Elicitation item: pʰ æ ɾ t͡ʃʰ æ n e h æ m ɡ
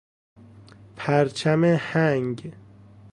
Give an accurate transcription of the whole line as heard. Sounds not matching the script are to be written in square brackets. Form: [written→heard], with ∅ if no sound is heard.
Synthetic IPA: pʰ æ ɾ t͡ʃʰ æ [n→m] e h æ [m→ŋ] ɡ

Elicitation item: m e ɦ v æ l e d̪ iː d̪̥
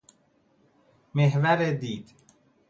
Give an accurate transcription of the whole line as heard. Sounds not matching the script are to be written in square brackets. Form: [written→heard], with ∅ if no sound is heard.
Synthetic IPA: m e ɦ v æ [l→ɾ] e d̪ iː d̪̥

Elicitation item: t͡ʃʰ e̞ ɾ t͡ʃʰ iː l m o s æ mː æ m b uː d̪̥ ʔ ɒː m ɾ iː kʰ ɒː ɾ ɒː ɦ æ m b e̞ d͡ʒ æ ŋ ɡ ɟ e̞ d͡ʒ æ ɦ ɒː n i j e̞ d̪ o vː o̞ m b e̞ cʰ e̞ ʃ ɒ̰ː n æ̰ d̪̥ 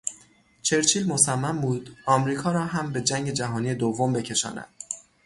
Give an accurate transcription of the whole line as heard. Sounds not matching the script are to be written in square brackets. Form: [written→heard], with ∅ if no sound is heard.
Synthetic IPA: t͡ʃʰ e̞ ɾ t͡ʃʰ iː l m o s æ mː æ m b uː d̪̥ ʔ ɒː m ɾ iː kʰ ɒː ɾ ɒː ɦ æ m b e̞ d͡ʒ æ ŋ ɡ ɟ e̞ d͡ʒ æ ɦ ɒː n i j e̞ d̪ o vː o̞ m b e̞ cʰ e̞ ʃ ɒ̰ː n æ̰ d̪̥

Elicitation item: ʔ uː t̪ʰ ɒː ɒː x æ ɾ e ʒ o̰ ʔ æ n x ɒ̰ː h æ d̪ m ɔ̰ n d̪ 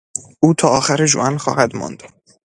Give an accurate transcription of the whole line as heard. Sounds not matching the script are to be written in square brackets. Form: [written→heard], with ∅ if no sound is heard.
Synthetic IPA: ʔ uː t̪ʰ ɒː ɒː x æ ɾ e ʒ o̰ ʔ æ n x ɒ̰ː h æ d̪ m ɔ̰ n d̪

